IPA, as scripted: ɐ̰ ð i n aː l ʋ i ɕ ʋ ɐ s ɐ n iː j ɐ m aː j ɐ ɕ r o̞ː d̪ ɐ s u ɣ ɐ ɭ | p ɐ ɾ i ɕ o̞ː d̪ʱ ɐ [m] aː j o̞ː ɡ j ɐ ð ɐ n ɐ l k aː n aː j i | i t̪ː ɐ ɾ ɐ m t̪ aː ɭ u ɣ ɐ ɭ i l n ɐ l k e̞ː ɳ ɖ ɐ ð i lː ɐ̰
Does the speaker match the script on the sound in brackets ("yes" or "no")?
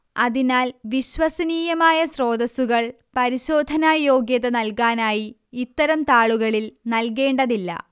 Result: no